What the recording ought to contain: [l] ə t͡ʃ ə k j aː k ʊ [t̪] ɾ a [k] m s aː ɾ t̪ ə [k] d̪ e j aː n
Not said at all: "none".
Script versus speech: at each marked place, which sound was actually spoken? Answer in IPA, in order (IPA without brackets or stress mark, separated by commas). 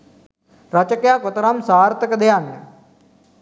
ɾ, t̪, none, k